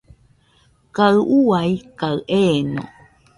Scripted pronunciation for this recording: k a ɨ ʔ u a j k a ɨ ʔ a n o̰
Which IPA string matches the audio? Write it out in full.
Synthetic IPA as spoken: k a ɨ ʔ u a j k a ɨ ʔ e n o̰

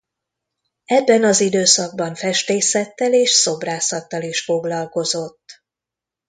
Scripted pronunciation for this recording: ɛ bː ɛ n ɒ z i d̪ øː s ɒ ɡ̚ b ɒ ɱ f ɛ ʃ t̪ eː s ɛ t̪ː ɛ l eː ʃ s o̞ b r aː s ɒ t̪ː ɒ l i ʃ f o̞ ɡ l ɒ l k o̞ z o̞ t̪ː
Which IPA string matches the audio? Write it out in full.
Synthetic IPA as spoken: ɛ bː ɛ n ɒ z i d̪ øː s ɒ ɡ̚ b ɒ ɱ f ɛ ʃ t̪ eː s ɛ t̪ː ɛ l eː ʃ s o̞ b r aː s ɒ t̪ː ɒ l i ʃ f o̞ ɡ l ɒ l k o̞ z o̞ t̪ː

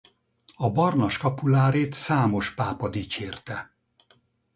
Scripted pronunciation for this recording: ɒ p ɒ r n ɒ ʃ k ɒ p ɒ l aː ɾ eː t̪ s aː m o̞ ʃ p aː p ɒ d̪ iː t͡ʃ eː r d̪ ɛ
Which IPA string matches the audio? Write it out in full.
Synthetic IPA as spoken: ɒ b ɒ r n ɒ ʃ k ɒ p u l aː ɾ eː t̪ s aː m o̞ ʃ p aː p ɒ d̪ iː t͡ʃ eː r t̪ ɛ

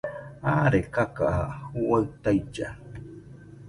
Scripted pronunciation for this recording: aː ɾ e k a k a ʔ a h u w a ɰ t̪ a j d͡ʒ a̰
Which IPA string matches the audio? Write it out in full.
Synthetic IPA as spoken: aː ɾ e k a k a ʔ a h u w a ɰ t̪ a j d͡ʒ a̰

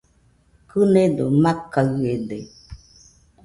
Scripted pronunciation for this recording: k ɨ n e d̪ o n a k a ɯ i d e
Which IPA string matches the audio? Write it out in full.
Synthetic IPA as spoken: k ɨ n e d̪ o m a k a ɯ e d e

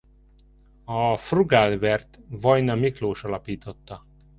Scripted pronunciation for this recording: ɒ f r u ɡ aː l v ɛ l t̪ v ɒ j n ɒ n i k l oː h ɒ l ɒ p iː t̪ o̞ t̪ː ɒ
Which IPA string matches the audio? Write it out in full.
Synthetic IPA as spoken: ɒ f r u ɡ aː l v ɛ r t̪ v ɒ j n ɒ m i k l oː ʃ ɒ l ɒ p iː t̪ o̞ t̪ː ɒ

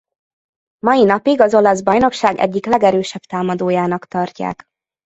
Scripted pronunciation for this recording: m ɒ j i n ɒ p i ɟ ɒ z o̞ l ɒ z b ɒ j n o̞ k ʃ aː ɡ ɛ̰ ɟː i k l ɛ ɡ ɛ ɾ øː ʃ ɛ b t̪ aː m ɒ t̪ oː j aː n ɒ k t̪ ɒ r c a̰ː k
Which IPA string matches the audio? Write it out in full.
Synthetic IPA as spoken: m ɒ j i n ɒ p i ɡ ɒ z o̞ l ɒ z b ɒ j n o̞ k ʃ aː ɡ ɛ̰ ɟː i k l ɛ ɡ ɛ ɾ øː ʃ ɛ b t̪ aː m ɒ d̪ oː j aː n ɒ k t̪ ɒ r c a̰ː k

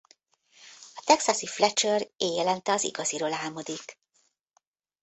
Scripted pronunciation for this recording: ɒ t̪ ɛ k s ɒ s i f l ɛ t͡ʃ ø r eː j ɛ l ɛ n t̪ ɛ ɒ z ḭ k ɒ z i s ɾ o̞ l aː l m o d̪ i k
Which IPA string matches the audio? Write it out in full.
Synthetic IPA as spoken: ɒ t̪ ɛ k s ɒ s i f l ɛ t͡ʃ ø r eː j ɛ l ɛ n t̪ ɛ ɒ z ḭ ɡ ɒ z i ɾ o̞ l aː l m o d̪ i k

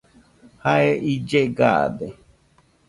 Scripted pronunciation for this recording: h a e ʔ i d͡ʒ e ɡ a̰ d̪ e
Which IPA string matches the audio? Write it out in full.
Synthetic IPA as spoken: h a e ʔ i d͡ʒ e ɡ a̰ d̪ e

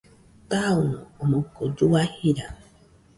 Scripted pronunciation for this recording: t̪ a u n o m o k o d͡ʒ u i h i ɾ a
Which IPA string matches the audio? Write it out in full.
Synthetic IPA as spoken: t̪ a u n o m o k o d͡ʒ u a h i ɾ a

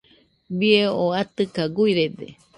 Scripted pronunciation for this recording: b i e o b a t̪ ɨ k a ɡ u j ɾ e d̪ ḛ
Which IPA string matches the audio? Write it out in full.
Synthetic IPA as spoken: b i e o a t̪ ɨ k a ɡ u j ɾ e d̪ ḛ

